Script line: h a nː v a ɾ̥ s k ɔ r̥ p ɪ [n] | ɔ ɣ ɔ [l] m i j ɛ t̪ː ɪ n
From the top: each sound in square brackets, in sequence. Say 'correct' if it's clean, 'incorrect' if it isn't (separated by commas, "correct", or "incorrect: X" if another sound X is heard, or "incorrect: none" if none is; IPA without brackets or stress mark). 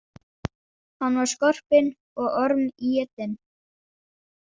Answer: correct, incorrect: ɾ